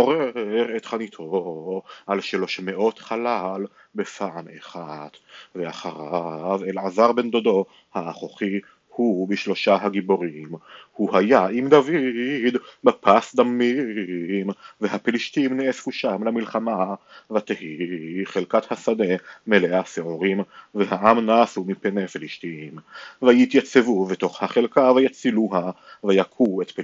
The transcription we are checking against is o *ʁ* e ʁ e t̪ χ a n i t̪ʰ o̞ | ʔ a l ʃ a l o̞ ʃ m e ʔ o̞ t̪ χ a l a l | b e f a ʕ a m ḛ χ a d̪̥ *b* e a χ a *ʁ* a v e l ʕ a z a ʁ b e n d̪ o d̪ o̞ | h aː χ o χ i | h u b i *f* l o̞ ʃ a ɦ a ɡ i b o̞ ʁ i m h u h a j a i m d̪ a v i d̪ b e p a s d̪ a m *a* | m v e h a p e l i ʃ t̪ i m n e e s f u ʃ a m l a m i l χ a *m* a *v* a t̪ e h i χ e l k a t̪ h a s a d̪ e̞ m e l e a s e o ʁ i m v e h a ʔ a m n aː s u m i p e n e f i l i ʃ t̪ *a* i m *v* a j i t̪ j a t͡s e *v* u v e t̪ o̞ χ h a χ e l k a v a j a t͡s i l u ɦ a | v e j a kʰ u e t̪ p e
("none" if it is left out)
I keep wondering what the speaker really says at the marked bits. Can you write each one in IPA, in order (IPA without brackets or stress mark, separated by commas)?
ʁ, v, ʁ, ʃ, i, m, v, i, v, v